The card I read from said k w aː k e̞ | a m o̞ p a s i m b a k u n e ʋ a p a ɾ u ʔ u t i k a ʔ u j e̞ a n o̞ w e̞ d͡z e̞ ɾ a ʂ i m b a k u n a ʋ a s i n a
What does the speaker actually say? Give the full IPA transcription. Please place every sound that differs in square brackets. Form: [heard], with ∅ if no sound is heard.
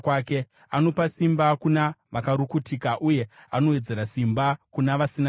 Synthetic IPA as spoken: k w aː k e̞ | a [n] o̞ p a s i m b a k u n [a] ʋ a [k] a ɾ u [k] u t i k a ʔ u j e̞ a n o̞ w e̞ d͡z e̞ ɾ a [s] i m b a k u n a ʋ a s i n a